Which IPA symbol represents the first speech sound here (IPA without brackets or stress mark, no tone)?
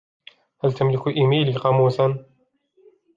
h